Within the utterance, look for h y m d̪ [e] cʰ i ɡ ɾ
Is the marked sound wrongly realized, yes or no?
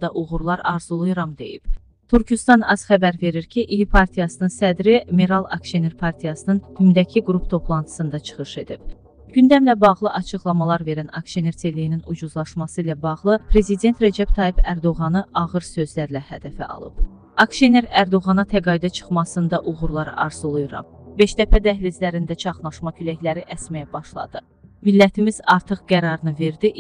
yes